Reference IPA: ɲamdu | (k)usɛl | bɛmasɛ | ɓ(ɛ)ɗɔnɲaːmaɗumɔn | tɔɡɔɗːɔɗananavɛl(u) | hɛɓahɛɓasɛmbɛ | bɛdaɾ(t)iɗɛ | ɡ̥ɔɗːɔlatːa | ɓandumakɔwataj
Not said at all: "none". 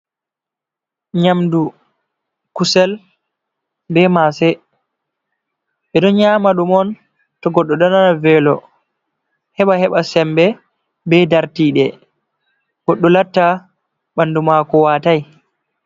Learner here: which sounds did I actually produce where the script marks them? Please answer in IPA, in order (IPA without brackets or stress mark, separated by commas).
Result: k, ɛ, ɔ, t